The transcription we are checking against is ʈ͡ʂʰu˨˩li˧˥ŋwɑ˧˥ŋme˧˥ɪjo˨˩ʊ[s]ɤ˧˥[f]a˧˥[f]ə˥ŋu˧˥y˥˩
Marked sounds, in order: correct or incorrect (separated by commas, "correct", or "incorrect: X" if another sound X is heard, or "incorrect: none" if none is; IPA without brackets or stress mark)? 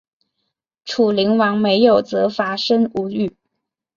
incorrect: t͡s, correct, incorrect: ʂ